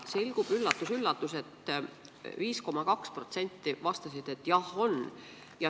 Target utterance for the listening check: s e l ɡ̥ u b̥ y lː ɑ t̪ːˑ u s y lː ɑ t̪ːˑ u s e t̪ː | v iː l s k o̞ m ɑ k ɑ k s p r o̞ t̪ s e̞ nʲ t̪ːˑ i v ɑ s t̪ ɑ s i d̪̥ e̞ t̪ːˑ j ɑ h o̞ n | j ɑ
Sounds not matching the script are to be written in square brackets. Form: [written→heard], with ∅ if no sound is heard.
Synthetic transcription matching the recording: s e l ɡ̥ u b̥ y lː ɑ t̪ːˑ u s y lː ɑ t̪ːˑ u s e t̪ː | v iː [l→∅] s k o̞ m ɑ k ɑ k s p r o̞ t̪ s e̞ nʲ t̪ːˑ i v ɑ s t̪ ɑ s i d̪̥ e̞ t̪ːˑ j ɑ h o̞ n | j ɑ

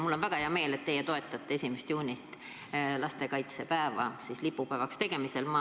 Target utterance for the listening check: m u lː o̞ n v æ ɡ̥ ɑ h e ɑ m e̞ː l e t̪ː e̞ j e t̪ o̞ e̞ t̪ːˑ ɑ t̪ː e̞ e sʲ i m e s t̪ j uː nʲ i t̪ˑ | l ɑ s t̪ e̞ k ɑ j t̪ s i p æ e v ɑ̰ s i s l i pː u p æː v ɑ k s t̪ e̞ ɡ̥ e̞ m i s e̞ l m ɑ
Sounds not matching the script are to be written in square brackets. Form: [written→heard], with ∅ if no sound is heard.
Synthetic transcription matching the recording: m u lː o̞ n v æ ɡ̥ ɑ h e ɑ m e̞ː l e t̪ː e̞ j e t̪ o̞ e̞ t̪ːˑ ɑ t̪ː e̞ e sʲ i m e s t̪ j uː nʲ i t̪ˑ | l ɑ s t̪ e̞ k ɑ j t̪ s [i→e] p æ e v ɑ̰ s i s l i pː u p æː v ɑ k s t̪ e̞ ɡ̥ e̞ m i s e̞ l m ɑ

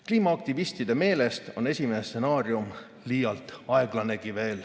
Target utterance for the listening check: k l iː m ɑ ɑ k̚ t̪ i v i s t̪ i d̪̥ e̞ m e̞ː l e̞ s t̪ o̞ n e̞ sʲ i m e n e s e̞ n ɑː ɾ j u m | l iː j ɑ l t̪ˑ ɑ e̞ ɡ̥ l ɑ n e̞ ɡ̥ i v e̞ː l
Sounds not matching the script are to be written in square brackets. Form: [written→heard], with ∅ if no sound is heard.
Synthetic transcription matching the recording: k l iː m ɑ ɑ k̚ t̪ i v i s t̪ i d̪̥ e̞ m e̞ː l e̞ s t̪ o̞ n e̞ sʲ i m e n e s e̞ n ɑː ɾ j u m | l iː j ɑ l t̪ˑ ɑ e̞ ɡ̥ l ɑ n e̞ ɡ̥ i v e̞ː l

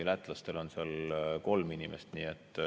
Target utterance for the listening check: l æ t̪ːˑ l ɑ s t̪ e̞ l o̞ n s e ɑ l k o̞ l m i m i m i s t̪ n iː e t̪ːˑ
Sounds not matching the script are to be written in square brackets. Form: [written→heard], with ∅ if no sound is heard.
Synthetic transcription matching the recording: l æ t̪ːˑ l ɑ s t̪ e̞ l o̞ n s e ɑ l k o̞ l m i [m→n] i m [i→e] s t̪ n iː e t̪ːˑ

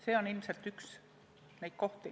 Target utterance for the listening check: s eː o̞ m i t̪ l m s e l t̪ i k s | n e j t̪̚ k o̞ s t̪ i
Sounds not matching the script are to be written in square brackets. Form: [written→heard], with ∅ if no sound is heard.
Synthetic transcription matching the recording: s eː o̞ [m→n] i [t̪→∅] l m s e l t̪ [i→y] k s | n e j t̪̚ k o̞ [s→h] t̪ i

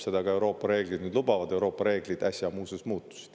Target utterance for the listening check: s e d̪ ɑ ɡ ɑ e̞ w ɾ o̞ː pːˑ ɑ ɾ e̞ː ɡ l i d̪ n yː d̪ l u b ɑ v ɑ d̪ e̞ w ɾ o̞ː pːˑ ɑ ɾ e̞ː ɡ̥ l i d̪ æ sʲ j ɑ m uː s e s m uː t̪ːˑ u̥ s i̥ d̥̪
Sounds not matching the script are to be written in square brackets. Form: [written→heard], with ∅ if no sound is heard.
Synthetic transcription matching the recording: s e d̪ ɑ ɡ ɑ e̞ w ɾ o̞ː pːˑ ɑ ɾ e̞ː ɡ l i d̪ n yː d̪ l u b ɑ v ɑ d̪ e̞ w ɾ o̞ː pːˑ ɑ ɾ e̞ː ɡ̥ l i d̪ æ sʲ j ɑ m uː s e s m uː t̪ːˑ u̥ s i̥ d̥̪

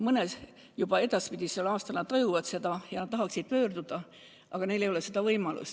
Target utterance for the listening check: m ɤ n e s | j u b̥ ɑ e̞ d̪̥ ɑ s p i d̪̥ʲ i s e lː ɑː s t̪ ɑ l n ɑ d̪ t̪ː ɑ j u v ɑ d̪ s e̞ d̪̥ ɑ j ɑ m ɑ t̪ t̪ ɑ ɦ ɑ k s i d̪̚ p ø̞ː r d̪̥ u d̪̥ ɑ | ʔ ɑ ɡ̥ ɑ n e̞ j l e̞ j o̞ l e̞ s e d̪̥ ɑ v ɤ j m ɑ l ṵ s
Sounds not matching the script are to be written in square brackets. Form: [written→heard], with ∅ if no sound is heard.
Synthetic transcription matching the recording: m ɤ n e s | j u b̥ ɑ e̞ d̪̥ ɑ s p i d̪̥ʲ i s e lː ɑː s t̪ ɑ l n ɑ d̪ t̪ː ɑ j u v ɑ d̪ s e̞ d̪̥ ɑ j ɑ [m→n] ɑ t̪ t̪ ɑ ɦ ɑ k s i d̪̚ p ø̞ː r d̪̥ u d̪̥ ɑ | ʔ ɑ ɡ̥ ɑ n e̞ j l e̞ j o̞ l e̞ s e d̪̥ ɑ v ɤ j m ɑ l ṵ s

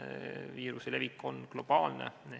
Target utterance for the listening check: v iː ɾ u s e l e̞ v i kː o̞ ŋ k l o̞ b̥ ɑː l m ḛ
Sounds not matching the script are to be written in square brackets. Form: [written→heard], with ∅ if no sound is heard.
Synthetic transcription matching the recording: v iː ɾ u s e l e̞ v i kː o̞ [ŋ→n] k l o̞ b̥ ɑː l [m→n] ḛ

